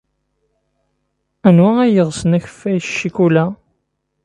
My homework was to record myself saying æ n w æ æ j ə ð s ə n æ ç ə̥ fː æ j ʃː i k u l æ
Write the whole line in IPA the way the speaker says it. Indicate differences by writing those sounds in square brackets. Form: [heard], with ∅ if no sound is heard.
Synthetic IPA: æ n w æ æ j ə [ʁ] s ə n æ ç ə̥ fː æ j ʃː i k u l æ